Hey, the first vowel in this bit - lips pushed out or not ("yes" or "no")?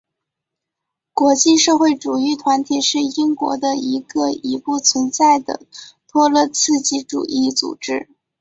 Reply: yes